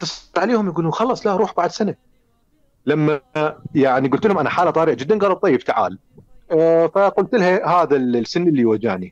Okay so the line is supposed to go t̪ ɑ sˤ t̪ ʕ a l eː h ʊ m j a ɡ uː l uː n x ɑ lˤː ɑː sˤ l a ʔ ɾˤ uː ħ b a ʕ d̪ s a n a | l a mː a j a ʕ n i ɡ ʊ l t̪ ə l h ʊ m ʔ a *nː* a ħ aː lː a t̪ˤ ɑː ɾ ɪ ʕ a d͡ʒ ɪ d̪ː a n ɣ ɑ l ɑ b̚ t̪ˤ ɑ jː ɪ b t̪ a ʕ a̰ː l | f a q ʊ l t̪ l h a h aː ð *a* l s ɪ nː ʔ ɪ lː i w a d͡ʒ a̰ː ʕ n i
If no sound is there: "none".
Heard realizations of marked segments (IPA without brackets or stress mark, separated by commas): n, a